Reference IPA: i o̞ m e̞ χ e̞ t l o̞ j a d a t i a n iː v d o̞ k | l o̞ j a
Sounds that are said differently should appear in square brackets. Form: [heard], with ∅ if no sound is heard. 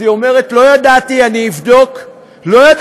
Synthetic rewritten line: i o̞ m e̞ [ʁ] e̞ t l o̞ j a d a t i a n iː v d o̞ k | l o̞ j a